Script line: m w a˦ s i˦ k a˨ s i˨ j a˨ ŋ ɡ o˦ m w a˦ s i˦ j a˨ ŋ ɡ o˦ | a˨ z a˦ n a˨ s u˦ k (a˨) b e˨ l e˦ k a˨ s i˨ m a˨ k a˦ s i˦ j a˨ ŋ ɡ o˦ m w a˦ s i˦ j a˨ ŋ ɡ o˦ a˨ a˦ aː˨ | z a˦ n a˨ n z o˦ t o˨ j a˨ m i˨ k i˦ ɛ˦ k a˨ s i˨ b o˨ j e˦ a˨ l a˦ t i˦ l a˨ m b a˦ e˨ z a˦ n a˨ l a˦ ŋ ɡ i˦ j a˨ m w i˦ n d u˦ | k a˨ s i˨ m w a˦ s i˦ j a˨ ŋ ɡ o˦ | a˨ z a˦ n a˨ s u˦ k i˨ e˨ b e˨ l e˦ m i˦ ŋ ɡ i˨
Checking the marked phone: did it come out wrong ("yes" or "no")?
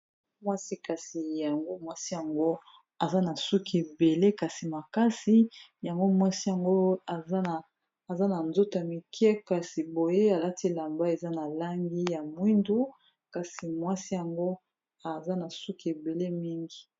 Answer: yes